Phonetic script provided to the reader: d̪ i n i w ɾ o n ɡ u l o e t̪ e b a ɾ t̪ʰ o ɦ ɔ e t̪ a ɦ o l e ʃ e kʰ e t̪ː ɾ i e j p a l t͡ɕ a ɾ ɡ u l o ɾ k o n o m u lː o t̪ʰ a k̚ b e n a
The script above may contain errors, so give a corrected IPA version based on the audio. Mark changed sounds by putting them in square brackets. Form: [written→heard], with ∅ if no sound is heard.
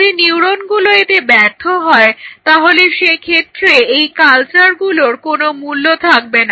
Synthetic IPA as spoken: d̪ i n i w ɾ o n ɡ u l o e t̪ e b [a→ɛ] ɾ t̪ʰ o ɦ ɔ e t̪ a ɦ o l e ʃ e kʰ e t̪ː ɾ [i→e] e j [p→k] a l t͡ɕ a ɾ ɡ u l o ɾ k o n o m u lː o t̪ʰ a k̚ b e n a